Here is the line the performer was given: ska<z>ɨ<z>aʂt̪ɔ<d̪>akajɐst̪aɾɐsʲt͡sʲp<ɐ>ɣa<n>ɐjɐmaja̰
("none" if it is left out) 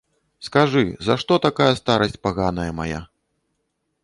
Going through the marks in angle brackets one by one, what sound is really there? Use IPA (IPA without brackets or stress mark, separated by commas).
ʐ, z, t̪, a, n